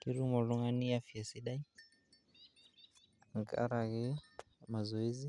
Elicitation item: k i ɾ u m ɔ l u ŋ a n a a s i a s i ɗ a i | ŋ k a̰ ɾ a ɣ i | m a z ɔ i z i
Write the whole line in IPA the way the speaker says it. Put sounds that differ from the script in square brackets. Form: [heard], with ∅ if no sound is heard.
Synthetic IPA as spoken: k i ɾ u m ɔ l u ŋ a n [i] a [f] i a s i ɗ a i | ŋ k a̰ ɾ a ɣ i | m a z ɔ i z i